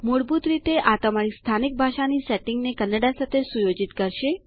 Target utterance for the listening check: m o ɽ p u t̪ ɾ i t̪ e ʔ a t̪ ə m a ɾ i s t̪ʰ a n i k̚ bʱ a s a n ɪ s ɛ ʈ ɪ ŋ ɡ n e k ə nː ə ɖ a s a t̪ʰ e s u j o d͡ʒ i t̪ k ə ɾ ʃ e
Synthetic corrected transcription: m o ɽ b u t̪ ɾ i t̪ e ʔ a t̪ ə m a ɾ i s t̪ʰ a n i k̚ bʱ a ʃ a n i s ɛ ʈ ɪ ŋ ɡ n e k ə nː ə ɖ a s a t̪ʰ e s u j o d͡ʒ i t̪ k ə ɾ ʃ e